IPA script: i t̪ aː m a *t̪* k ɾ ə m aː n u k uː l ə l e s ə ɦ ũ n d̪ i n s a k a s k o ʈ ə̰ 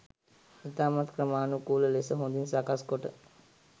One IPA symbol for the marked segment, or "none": t̪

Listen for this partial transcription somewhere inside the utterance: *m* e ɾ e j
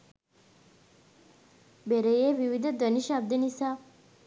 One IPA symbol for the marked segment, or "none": b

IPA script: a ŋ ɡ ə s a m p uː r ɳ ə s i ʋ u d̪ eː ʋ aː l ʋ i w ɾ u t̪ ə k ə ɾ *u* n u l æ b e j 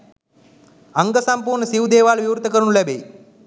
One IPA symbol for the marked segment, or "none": u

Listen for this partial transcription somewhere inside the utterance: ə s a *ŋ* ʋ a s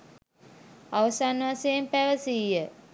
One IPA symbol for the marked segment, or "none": n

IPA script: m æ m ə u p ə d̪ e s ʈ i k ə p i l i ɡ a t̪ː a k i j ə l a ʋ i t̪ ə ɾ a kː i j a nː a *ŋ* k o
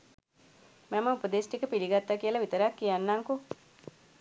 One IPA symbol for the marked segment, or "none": ŋ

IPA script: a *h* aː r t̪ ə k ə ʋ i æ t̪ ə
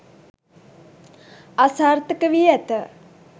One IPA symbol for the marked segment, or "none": s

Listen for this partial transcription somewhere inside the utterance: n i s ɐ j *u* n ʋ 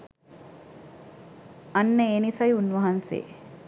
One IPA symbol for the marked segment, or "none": u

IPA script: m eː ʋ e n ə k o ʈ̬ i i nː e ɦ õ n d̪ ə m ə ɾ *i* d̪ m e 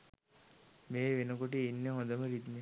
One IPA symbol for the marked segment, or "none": i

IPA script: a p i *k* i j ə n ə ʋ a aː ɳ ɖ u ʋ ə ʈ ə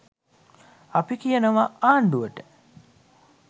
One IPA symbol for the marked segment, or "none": k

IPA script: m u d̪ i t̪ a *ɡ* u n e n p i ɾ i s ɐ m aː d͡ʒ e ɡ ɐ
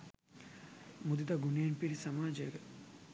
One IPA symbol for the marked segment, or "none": ɡ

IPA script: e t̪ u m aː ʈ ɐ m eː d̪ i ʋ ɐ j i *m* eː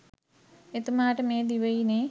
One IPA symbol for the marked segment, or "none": n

